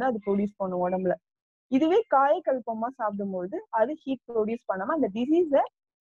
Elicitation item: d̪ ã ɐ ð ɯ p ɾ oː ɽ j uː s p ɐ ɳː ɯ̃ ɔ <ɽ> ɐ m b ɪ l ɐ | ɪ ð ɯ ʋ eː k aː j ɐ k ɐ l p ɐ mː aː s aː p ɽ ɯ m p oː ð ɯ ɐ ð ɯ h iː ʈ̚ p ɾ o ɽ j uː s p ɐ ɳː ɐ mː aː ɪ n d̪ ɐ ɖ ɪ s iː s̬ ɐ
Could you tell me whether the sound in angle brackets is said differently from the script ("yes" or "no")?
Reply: no